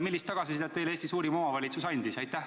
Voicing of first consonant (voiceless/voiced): voiced